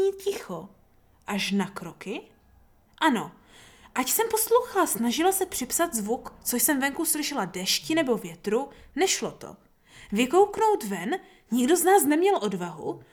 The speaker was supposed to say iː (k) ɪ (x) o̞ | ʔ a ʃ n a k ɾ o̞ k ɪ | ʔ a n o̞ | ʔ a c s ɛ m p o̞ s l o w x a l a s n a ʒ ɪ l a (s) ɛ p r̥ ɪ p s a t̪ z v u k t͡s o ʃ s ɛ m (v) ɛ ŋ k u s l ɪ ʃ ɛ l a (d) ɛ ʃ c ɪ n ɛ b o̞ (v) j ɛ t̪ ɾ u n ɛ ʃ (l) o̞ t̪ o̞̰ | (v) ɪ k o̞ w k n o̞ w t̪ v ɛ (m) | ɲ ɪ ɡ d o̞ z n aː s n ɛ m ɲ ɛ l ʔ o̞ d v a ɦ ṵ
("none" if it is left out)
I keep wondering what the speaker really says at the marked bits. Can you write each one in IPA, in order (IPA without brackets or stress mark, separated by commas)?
c, x, s, v, d, v, l, v, n